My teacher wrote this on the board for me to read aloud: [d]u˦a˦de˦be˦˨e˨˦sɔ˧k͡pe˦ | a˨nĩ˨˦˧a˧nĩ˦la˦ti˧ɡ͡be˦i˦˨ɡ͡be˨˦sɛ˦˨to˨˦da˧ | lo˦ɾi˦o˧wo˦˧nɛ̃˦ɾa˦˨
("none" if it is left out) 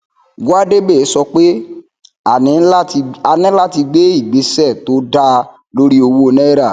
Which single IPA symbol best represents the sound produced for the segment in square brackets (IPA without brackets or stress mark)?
ɡ